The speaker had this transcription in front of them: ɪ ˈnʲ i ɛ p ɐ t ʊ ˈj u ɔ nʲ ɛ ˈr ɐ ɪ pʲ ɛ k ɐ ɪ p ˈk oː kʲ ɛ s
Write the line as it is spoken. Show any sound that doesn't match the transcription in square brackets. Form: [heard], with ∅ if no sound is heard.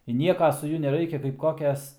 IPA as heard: ɪ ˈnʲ i ɛ [k] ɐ [s] ʊ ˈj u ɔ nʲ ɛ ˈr ɐ ɪ [kʲ] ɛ k ɐ ɪ p ˈk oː kʲ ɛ s